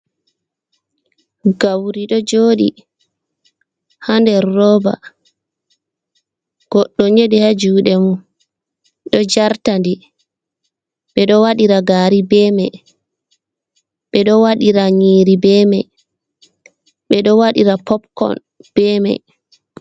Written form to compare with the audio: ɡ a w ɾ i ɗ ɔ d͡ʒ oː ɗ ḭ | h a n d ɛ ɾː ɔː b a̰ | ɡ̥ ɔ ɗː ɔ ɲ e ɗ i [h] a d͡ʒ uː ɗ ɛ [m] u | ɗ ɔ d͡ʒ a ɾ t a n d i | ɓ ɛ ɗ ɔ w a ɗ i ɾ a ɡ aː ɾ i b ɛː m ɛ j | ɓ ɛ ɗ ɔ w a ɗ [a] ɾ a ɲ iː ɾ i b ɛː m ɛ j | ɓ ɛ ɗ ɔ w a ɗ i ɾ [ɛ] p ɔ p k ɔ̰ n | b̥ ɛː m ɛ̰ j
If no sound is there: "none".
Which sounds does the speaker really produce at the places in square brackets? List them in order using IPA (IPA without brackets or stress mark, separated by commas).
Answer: h, m, i, a